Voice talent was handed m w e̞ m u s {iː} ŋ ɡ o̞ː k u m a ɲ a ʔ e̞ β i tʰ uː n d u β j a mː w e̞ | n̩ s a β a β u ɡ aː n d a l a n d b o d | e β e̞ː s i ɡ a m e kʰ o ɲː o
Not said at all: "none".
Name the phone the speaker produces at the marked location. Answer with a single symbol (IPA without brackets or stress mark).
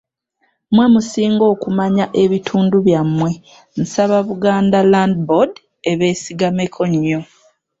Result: iː